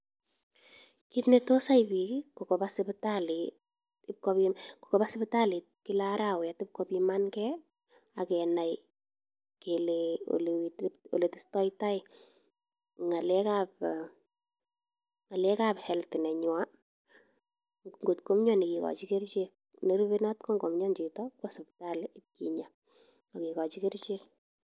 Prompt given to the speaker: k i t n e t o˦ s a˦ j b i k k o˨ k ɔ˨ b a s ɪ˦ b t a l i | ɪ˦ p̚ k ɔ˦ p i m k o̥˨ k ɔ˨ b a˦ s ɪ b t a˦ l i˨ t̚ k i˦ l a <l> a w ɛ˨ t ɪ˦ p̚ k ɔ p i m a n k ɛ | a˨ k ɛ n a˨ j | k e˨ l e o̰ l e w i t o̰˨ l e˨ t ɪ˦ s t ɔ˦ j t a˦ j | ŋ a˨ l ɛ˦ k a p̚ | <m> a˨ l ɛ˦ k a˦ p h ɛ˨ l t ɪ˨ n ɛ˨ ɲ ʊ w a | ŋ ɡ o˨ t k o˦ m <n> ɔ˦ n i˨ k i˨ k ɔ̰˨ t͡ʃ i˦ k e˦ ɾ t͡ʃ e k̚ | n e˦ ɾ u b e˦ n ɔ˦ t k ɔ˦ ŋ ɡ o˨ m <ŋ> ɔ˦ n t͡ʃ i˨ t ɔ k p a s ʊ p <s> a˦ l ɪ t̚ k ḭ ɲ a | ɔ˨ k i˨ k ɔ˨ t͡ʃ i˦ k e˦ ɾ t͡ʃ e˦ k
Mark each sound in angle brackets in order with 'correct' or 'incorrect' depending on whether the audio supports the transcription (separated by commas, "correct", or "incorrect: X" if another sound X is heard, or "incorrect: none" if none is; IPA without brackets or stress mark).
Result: incorrect: ɾ, incorrect: ŋ, incorrect: ɲ, incorrect: ɲ, incorrect: t